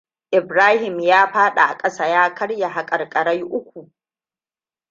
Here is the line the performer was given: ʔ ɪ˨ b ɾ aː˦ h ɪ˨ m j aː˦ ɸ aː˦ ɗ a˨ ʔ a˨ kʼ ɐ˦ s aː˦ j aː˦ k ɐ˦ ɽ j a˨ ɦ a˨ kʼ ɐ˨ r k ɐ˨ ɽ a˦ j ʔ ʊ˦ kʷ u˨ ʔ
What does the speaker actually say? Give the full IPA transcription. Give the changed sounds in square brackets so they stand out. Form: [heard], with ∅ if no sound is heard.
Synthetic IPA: ʔ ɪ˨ b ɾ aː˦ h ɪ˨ m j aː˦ ɸ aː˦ ɗ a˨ ʔ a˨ kʼ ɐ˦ s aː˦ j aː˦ k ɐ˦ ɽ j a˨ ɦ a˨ kʼ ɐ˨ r [kʼ] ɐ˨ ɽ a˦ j ʔ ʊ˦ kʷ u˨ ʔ